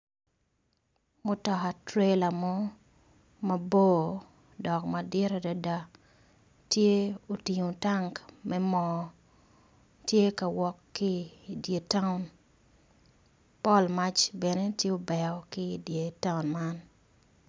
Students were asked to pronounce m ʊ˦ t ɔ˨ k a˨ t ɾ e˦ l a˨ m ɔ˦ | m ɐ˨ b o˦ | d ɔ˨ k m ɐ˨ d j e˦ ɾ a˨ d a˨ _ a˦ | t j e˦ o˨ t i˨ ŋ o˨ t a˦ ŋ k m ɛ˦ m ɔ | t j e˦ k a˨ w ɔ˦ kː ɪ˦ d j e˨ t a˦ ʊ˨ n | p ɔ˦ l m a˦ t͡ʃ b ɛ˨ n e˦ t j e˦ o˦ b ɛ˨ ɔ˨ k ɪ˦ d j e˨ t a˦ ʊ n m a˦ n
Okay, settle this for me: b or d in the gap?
d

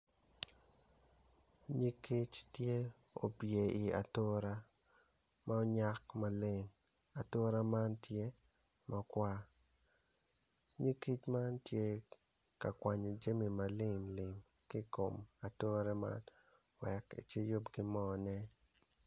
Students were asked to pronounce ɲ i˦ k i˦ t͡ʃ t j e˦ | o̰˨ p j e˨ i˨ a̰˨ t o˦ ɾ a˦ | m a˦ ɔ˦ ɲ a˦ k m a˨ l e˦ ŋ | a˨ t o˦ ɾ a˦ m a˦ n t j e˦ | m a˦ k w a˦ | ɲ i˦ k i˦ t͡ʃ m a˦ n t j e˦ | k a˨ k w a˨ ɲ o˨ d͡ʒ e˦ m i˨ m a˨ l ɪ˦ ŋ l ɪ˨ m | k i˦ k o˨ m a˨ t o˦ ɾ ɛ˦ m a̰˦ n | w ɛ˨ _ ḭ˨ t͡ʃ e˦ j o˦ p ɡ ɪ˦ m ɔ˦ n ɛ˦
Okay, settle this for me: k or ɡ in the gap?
k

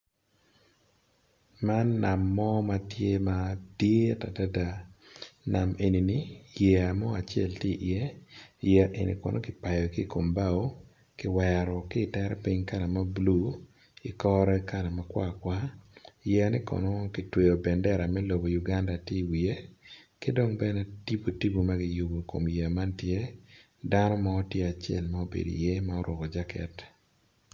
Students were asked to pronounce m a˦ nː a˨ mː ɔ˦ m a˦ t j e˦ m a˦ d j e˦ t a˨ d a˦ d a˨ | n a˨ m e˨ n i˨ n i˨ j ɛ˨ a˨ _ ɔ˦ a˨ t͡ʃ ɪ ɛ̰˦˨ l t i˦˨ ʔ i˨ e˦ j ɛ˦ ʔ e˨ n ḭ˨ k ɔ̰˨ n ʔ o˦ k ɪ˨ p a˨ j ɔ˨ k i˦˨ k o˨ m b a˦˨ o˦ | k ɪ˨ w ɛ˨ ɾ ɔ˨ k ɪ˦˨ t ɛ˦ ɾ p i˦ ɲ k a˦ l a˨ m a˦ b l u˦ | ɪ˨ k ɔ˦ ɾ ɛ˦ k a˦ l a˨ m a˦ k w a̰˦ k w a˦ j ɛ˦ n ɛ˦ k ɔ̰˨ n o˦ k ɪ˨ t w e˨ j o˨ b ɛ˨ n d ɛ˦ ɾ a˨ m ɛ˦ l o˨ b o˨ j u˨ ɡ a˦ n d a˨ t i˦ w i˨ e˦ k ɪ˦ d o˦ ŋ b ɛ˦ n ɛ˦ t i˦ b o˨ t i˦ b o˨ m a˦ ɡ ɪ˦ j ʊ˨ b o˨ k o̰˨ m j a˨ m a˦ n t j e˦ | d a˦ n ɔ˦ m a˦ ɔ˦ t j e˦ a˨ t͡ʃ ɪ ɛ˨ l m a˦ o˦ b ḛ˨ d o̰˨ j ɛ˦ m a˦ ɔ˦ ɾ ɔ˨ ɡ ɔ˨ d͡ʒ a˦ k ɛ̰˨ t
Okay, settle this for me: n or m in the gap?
m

